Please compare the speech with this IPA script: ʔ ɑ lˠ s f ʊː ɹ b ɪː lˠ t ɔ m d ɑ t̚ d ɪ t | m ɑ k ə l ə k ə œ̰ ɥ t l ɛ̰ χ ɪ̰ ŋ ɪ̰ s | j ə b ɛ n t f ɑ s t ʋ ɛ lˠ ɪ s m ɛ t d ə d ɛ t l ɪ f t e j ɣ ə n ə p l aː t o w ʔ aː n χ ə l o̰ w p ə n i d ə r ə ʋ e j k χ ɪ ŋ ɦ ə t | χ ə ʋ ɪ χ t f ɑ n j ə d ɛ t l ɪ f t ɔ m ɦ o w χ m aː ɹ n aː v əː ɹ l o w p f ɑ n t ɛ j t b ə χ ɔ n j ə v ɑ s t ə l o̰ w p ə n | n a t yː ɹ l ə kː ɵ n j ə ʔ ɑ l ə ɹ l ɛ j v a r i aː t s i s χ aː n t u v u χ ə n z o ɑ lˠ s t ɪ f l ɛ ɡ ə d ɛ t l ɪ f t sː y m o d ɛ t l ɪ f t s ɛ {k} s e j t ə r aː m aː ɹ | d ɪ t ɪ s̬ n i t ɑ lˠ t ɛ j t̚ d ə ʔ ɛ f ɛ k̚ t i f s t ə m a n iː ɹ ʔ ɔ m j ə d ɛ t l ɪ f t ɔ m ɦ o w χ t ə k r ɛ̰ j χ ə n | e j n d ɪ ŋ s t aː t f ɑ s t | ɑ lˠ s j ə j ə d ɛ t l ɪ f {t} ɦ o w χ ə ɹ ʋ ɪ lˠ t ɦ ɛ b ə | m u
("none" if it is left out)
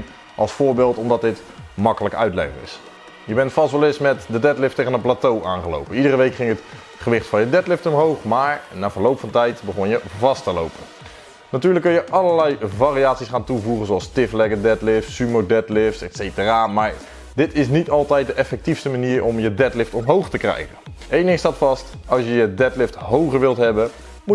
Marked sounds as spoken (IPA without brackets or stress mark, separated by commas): t, t